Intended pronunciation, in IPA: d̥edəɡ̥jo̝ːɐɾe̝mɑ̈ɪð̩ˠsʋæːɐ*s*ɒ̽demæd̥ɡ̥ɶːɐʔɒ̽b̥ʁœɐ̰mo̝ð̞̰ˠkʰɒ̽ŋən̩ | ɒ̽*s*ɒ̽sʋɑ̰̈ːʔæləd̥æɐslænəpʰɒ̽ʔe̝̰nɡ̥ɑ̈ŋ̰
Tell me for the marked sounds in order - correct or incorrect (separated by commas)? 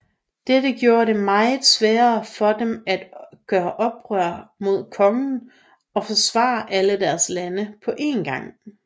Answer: incorrect, incorrect